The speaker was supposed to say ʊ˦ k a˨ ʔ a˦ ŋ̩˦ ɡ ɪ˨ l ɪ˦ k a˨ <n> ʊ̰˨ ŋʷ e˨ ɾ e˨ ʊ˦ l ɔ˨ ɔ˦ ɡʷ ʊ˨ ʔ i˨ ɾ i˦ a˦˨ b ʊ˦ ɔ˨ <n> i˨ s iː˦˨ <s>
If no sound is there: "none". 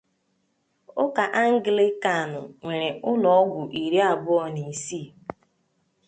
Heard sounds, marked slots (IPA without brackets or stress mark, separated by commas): n, n, none